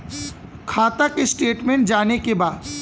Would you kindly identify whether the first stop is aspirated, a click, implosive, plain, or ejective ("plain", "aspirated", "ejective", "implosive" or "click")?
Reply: aspirated